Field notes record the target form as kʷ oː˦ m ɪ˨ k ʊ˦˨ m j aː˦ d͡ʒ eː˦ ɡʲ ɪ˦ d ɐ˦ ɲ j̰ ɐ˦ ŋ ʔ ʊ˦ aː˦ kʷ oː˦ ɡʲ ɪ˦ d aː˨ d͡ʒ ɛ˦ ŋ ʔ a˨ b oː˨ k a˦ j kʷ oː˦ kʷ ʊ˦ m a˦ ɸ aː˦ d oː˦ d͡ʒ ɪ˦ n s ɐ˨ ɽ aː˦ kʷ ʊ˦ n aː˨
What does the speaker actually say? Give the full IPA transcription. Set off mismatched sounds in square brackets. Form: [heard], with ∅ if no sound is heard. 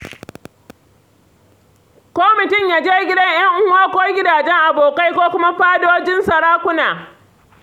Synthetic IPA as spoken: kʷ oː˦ m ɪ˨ [t] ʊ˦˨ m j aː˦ d͡ʒ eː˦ ɡʲ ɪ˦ d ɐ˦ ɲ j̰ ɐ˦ ŋ ʔ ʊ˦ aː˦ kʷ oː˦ ɡʲ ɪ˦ d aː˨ d͡ʒ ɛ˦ ŋ ʔ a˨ b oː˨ k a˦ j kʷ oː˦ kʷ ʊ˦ m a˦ ɸ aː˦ d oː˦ d͡ʒ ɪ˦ n s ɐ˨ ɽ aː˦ kʷ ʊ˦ n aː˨